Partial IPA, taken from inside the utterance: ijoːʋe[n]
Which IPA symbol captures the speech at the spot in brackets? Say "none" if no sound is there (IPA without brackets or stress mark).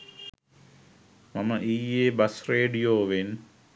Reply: n